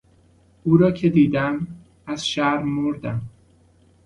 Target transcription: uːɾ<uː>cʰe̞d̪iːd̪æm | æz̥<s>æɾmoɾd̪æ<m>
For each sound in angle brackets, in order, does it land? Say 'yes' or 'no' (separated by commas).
no, no, yes